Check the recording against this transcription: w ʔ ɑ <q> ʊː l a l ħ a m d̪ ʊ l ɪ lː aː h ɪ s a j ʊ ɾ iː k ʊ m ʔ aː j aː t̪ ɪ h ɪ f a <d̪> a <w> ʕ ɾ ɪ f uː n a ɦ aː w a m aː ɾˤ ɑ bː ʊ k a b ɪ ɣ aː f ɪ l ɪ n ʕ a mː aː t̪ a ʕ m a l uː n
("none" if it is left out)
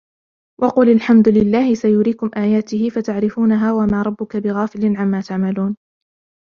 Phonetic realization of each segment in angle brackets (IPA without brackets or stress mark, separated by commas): q, t̪, none